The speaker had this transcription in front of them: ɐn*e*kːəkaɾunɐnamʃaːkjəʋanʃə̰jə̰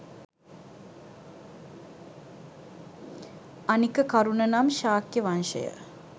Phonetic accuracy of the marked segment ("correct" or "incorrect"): incorrect